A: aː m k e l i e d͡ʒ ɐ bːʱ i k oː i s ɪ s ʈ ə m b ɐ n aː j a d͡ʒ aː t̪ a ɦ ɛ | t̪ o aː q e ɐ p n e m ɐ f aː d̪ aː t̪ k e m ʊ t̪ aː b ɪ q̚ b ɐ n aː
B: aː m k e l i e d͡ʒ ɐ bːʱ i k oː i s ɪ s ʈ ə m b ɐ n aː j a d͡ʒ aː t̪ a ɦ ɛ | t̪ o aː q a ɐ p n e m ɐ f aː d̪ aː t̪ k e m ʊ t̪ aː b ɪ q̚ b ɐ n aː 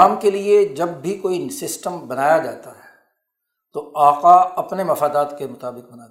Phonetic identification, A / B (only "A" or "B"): B